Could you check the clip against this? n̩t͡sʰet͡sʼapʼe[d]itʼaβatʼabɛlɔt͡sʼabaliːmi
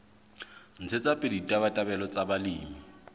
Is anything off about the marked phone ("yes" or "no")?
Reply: no